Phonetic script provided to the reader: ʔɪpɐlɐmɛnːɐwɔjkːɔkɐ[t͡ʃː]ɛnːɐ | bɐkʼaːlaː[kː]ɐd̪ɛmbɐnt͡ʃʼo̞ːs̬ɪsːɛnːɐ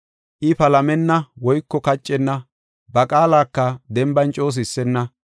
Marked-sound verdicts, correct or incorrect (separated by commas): incorrect, correct